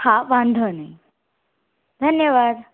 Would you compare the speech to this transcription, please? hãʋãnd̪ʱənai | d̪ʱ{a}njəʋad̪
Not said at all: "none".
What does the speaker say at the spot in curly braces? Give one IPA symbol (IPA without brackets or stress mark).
ə